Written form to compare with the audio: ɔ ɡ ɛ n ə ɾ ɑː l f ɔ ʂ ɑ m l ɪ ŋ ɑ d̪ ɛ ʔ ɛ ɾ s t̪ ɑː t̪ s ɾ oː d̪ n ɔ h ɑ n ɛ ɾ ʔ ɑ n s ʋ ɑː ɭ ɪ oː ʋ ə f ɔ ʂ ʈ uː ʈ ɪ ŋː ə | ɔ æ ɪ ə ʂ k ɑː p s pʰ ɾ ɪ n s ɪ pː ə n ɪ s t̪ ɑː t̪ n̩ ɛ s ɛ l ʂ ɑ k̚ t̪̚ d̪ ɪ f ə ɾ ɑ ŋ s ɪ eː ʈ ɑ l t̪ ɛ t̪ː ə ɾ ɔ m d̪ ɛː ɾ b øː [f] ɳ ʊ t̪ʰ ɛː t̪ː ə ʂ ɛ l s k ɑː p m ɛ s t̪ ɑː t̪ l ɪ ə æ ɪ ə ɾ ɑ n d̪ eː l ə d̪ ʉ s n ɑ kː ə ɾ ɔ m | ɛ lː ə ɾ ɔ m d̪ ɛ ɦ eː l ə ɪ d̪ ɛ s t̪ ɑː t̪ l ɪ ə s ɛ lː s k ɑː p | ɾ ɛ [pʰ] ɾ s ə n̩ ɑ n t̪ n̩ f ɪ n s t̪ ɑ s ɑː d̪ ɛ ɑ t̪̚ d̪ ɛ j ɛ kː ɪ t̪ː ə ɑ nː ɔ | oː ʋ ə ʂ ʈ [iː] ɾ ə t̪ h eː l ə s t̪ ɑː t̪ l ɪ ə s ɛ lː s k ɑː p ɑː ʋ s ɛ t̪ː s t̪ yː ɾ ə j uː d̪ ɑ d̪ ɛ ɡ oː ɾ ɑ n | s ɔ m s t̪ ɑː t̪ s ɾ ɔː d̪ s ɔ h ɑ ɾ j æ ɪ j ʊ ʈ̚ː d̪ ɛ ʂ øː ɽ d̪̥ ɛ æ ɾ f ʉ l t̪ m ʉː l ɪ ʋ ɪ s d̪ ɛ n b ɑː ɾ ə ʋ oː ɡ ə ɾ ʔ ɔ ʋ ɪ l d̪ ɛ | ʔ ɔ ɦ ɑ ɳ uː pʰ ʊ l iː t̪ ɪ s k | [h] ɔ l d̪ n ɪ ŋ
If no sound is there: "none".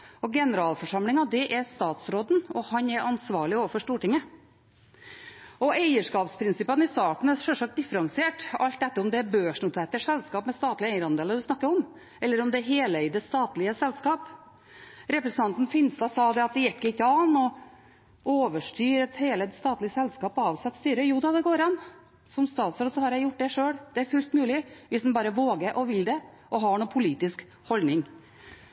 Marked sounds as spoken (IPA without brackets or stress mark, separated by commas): ʂ, p, yː, h